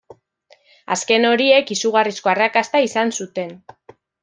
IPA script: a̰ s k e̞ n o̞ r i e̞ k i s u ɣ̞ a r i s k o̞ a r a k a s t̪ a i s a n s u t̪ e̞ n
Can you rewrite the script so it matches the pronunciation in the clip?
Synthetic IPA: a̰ s k e̞ n o̞ ɾ i e̞ k i s u ɣ̞ a r i s k o̞ a r a k a s t̪ a i s a n s u t̪ e̞ n